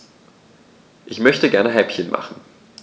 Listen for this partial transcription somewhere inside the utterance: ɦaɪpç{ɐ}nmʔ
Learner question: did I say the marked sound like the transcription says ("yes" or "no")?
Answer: no